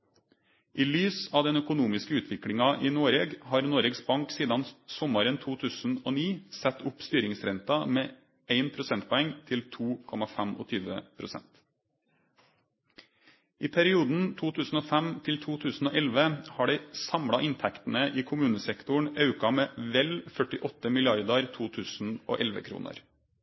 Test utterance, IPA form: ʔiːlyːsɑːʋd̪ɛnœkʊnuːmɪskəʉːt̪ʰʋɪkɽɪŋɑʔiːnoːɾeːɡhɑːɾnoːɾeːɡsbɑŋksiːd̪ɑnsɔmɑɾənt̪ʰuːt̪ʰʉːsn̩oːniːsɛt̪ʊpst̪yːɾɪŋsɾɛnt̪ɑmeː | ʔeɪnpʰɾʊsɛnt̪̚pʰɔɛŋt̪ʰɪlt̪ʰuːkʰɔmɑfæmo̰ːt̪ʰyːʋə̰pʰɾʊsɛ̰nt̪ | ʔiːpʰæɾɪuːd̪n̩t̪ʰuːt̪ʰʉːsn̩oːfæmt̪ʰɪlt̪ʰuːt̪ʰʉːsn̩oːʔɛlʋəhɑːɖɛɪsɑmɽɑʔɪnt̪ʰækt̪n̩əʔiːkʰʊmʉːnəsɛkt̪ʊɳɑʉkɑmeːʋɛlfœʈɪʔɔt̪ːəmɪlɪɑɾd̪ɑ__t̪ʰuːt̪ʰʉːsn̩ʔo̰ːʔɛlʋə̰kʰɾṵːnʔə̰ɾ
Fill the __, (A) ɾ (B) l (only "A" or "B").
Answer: A